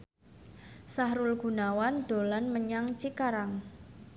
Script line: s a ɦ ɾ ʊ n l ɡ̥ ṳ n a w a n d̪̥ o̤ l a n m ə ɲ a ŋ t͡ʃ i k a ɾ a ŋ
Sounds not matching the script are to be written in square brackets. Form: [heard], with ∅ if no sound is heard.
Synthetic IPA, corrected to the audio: s a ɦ ɾ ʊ [∅] l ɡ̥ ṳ n a w a n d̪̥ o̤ l a n m ə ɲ a ŋ t͡ʃ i k a ɾ a ŋ